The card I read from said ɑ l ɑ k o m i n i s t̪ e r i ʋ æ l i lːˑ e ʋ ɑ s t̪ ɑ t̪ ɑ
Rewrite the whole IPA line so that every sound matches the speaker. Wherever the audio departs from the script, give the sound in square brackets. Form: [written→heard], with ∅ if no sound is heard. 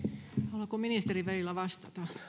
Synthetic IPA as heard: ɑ l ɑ k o m i n i s t̪ e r i ʋ æ l i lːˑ [e→æ] ʋ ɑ s t̪ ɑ t̪ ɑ

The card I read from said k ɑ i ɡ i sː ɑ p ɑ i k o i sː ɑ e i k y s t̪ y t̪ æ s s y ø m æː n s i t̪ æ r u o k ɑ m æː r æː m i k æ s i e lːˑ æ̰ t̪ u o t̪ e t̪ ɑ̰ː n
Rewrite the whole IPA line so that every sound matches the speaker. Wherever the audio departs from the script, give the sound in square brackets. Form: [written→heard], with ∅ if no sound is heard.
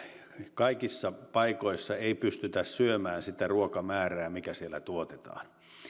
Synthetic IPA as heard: k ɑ i [ɡ→k] i sː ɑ p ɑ i k o i sː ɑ e i [k→p] y s t̪ y t̪ æ s s y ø m æː n s i t̪ æ r u o k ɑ m æː r æː m i k æ s i e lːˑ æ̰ t̪ u o t̪ e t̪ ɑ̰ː n

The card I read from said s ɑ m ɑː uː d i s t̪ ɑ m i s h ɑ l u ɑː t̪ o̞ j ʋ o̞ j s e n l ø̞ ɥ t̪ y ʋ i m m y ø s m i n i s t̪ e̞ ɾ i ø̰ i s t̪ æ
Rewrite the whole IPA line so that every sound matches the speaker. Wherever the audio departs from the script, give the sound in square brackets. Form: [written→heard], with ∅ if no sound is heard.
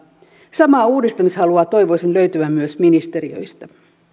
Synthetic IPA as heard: s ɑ m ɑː uː d i s t̪ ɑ m i s h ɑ l u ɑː t̪ o̞ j ʋ o̞ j s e n l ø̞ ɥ t̪ y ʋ [i→æ] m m y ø s m i n i s t̪ e̞ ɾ i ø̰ [i→j] s t̪ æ

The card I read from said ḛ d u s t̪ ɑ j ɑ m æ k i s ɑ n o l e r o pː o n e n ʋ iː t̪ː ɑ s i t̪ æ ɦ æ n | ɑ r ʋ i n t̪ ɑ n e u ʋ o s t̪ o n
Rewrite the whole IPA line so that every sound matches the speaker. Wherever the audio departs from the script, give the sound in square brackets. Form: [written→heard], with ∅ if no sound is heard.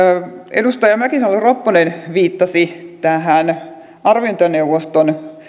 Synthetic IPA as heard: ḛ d u s t̪ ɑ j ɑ m æ k i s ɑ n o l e r o pː o n e n ʋ iː t̪ː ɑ s i t̪ æ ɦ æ n | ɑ r ʋ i n t̪ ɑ n e u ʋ o s t̪ o n

